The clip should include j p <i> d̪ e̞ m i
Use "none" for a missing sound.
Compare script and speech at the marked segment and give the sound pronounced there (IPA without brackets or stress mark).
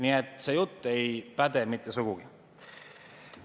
æ